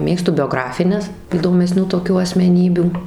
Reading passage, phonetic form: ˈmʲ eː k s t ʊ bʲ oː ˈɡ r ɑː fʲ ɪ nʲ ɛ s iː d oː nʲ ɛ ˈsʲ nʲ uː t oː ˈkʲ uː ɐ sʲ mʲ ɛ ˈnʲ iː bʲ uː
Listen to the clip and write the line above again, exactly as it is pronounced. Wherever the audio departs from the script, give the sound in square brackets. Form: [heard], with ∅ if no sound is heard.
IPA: ˈmʲ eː k s t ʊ bʲ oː ˈɡ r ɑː fʲ ɪ nʲ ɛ s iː d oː [mʲ] ɛ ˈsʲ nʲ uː t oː ˈkʲ uː ɐ sʲ mʲ ɛ ˈnʲ iː bʲ uː